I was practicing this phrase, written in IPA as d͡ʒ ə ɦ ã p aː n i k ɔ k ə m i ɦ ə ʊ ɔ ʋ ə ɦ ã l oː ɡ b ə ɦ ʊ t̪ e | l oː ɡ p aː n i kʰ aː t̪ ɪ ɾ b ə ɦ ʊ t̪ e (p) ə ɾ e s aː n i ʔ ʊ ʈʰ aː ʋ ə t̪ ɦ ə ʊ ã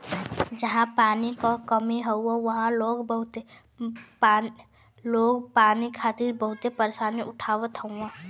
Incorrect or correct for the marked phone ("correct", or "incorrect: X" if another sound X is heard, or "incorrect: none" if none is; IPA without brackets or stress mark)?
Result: correct